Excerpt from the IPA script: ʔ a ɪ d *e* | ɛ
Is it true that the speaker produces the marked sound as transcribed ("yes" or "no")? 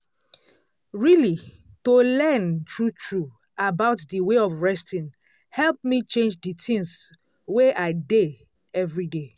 yes